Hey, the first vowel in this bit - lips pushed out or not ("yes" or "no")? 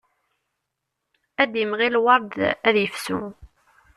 no